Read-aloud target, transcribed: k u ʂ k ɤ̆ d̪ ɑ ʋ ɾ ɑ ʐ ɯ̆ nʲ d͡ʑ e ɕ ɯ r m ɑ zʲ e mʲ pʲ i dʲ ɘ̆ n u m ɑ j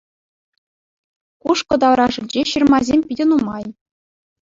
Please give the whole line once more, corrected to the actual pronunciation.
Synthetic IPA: k u ʂ k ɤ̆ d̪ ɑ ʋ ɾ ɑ ʐ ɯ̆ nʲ d͡ʑ e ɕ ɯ r m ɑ zʲ e mʲ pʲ i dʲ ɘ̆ n u m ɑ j